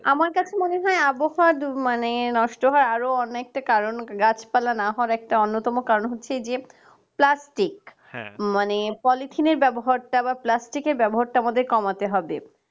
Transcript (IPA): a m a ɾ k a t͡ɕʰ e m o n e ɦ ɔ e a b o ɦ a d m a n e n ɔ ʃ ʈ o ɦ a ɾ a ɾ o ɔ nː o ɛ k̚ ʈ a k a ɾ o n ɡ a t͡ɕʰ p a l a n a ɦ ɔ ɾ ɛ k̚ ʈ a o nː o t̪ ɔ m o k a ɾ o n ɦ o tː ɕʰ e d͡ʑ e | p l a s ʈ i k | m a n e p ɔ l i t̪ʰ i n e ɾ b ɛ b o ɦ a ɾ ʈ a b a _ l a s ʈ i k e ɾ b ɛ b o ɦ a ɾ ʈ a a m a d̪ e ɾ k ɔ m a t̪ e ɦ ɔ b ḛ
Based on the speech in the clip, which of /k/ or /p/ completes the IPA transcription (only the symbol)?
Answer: p